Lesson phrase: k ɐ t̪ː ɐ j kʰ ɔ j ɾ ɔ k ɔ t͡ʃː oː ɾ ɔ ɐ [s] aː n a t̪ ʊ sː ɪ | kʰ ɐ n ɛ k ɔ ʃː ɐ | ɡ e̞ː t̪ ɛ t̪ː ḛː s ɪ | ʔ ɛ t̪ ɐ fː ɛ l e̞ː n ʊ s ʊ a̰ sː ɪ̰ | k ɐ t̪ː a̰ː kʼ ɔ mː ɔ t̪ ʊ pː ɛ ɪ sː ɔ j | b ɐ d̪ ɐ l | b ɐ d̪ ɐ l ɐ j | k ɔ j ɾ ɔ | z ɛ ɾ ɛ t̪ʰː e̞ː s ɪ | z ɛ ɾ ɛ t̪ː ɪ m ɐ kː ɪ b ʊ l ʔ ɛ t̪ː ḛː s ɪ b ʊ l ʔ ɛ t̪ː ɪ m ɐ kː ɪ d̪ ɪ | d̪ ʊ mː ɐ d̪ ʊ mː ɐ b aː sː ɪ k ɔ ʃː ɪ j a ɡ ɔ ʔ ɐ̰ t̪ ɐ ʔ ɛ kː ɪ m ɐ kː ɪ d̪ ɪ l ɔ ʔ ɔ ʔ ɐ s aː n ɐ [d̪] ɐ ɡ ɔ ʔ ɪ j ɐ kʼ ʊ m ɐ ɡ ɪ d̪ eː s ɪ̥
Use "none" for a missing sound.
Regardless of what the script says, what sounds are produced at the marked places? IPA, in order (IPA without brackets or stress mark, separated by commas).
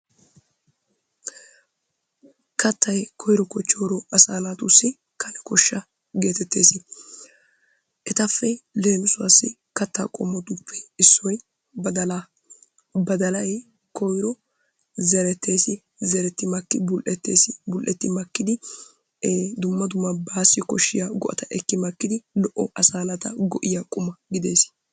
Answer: s, t̪